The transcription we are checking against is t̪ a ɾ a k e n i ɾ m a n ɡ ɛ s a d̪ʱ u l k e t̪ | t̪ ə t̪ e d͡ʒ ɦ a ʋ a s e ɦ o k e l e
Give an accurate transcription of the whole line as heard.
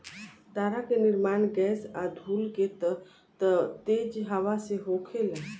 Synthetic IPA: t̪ a ɾ a k e n i ɾ m a n ɡ ɛ s a d̪ʱ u l k e t̪ | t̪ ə t̪ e d͡ʒ ɦ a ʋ a s e ɦ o kʰ e l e